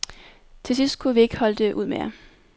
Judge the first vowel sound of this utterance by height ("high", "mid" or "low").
mid